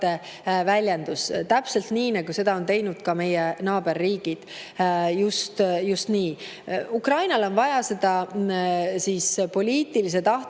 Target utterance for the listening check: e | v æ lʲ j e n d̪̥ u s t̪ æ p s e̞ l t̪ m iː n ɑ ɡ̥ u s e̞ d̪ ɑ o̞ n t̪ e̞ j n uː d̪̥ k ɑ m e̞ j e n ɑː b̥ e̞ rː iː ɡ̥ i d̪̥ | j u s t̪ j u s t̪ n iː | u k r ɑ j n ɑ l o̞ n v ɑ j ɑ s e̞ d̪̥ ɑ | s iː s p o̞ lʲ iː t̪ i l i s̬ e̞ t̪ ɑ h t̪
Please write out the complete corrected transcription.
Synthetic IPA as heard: e | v æ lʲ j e n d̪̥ u s t̪ æ p s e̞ l t̪ n iː n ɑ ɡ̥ u s e̞ d̪ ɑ o̞ n t̪ e̞ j n u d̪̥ k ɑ m e̞ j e n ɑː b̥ e̞ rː iː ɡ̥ i d̪̥ | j u s t̪ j u s t̪ n iː | u k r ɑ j n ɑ l o̞ n v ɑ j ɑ s e̞ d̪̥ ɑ | s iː s p o̞ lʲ iː t̪ i l i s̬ e̞ t̪ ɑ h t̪